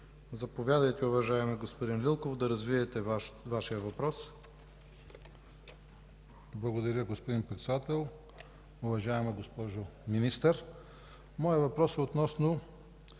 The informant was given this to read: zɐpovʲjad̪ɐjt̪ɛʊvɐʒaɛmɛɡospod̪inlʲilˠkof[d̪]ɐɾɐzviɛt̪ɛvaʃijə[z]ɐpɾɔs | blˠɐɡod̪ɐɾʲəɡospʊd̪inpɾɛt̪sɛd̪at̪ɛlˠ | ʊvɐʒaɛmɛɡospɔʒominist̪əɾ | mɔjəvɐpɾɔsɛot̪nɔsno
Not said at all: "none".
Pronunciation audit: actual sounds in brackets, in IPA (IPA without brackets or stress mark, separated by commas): d̪, v